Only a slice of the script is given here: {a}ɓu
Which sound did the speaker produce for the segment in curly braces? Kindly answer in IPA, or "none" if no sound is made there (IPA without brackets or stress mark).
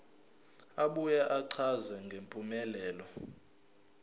a